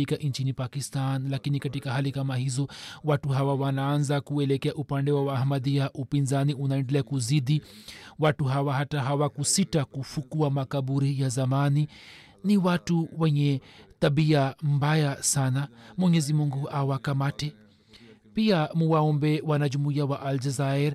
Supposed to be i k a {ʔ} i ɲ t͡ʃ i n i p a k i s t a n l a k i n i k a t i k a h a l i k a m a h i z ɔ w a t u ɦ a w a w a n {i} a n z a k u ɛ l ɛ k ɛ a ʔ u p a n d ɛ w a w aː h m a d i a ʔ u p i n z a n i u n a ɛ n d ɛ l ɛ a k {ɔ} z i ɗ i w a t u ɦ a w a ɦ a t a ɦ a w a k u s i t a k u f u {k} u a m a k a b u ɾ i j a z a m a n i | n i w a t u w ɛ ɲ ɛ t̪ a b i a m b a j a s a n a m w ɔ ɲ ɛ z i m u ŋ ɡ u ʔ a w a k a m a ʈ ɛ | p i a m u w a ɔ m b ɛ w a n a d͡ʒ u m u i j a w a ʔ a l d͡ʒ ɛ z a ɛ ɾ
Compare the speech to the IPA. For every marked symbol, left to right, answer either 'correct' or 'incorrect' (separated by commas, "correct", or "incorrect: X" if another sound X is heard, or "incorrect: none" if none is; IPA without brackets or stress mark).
correct, incorrect: a, incorrect: u, correct